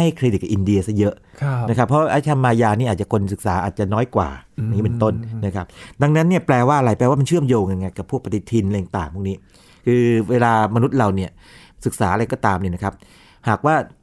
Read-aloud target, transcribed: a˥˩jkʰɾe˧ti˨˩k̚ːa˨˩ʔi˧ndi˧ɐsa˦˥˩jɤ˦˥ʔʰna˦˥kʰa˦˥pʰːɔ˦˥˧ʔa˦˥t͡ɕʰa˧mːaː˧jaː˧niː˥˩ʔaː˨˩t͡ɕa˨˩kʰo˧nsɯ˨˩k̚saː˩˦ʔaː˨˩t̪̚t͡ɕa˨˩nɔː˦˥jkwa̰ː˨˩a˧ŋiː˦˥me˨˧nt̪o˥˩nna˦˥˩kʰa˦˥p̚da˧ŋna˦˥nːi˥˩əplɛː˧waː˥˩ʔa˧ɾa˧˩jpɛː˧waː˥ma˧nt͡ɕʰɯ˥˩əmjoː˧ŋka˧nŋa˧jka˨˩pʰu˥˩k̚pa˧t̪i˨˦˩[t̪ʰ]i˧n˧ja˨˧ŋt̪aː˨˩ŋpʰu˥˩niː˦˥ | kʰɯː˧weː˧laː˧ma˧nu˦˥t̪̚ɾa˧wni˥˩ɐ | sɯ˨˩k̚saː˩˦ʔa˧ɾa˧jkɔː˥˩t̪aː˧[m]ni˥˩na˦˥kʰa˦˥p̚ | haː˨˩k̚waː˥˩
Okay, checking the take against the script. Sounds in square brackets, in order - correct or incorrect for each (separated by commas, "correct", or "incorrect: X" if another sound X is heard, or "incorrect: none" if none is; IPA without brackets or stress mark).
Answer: correct, correct